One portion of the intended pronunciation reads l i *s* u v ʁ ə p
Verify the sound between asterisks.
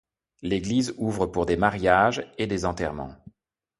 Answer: incorrect: z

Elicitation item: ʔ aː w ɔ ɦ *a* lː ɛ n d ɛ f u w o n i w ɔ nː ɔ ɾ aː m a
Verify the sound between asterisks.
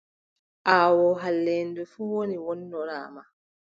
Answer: correct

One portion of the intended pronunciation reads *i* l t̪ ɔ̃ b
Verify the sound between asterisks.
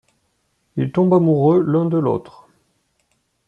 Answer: correct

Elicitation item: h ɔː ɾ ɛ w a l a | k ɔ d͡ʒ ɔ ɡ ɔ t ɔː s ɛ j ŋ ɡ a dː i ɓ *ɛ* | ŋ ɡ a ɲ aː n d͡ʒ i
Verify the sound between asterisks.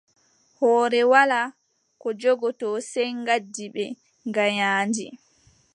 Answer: correct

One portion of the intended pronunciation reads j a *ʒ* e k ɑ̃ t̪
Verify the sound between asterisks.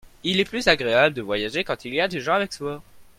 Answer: correct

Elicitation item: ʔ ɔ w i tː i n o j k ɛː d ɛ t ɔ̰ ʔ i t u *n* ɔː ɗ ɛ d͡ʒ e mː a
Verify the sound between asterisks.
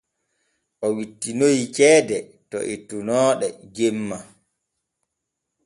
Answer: correct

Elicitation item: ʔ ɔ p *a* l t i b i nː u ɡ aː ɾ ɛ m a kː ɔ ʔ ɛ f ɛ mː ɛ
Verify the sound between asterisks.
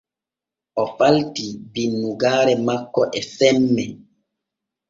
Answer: correct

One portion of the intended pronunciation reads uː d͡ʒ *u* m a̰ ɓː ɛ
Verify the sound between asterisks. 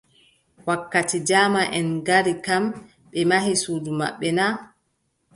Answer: correct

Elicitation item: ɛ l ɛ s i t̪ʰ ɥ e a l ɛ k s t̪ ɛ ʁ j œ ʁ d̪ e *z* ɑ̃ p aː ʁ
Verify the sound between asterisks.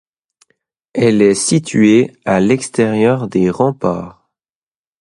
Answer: incorrect: ʁ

